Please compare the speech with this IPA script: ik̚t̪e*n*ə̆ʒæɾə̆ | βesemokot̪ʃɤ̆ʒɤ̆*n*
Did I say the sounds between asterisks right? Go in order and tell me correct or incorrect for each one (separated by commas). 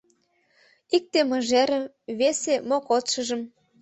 incorrect, incorrect